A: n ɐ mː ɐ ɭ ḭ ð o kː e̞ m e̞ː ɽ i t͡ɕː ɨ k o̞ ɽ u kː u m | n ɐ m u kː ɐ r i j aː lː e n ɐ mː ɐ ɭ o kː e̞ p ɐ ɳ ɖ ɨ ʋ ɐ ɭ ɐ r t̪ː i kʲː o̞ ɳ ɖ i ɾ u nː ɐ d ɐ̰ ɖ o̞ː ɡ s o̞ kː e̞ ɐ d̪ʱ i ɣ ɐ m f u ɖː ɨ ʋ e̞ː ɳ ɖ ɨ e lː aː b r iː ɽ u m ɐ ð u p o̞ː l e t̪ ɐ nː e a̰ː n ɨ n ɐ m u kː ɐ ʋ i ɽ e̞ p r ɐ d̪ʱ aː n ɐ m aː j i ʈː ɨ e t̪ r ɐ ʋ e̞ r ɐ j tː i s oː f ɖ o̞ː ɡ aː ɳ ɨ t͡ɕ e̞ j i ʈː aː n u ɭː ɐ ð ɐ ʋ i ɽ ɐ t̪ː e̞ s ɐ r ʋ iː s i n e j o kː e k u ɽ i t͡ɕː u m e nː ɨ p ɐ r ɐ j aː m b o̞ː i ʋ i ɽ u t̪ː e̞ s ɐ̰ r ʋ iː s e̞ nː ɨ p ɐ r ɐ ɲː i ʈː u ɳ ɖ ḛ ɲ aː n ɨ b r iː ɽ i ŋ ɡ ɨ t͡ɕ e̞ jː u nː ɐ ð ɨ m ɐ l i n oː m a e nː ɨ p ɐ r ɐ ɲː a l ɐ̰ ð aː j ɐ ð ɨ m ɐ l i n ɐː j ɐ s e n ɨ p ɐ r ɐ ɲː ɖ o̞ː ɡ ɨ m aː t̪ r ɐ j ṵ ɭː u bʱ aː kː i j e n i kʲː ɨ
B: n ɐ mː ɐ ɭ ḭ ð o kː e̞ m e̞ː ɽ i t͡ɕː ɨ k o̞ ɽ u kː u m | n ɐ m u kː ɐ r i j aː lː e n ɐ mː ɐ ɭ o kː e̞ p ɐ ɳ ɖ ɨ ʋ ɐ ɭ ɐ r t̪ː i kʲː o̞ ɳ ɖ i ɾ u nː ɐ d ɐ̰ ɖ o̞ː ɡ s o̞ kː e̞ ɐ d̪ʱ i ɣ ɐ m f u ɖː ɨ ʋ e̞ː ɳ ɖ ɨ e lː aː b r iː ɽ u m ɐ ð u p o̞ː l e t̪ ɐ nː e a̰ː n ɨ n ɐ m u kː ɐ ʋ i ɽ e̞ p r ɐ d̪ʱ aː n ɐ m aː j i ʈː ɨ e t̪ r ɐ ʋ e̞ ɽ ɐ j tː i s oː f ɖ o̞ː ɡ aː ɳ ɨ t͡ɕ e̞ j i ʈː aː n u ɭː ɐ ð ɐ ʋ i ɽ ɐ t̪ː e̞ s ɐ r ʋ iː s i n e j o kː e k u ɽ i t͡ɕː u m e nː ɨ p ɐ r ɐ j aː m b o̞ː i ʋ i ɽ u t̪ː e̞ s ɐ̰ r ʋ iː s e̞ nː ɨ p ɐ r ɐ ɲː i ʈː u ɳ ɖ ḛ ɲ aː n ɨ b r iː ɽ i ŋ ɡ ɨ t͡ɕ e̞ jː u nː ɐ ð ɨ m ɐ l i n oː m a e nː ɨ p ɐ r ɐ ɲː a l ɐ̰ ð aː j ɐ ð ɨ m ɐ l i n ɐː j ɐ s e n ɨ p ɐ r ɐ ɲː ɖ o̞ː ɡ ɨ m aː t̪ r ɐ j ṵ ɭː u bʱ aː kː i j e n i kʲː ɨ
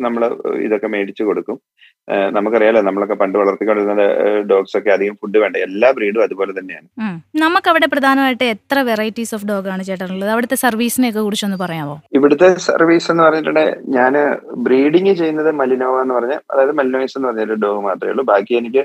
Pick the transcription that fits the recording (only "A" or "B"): A